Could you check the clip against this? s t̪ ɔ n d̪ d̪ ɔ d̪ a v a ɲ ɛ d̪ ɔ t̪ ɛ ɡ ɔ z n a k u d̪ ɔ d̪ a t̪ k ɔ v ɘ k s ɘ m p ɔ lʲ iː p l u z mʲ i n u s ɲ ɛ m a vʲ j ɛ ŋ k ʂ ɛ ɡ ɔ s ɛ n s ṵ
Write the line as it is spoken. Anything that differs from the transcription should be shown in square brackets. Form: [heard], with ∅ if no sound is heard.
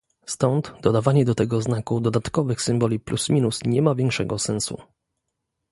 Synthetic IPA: s t̪ ɔ n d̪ d̪ ɔ d̪ a v a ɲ ɛ d̪ ɔ t̪ ɛ ɡ ɔ z n a k u d̪ ɔ d̪ a t̪ k ɔ v ɘ [x] s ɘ m [b] ɔ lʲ [i] p l u [s] mʲ i n u s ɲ ɛ m a vʲ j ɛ ŋ k ʂ ɛ ɡ ɔ s ɛ n s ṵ